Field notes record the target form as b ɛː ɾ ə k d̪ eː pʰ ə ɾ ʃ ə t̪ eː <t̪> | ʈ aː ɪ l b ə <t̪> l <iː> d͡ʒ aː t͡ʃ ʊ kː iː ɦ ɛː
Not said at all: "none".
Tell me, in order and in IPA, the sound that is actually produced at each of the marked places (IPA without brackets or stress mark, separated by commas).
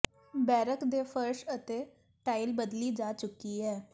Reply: none, d̪, iː